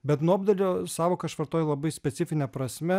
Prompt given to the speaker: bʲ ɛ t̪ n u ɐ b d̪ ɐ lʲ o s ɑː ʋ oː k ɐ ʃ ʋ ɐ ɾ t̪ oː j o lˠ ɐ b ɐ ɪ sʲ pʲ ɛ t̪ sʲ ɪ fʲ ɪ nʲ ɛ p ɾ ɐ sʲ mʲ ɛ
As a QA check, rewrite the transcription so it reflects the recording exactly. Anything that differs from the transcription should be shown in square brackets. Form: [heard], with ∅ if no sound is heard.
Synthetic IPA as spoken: bʲ ɛ t̪ n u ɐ b d̪ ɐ lʲ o s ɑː ʋ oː k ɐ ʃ ʋ ɐ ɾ t̪ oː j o lˠ ɐ b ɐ ɪ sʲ pʲ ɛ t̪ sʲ ɪ fʲ ɪ nʲ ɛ p ɾ ɐ sʲ mʲ ɛ